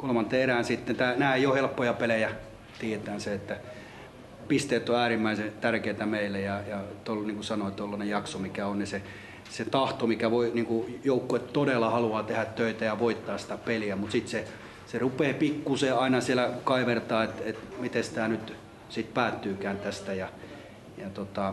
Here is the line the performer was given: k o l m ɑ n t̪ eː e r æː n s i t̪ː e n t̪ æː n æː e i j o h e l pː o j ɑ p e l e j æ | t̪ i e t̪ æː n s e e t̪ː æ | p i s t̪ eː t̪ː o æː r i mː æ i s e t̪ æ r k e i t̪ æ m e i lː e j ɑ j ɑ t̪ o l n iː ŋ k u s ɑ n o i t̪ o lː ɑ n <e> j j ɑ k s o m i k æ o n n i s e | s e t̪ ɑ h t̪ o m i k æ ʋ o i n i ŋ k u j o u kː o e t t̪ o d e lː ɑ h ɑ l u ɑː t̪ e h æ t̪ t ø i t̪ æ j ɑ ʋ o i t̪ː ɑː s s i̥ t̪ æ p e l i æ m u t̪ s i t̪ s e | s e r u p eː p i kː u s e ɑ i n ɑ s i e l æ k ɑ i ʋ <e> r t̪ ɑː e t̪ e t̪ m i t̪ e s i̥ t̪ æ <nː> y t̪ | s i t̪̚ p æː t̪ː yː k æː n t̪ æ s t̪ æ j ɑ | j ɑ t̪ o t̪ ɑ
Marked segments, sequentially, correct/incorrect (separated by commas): correct, correct, incorrect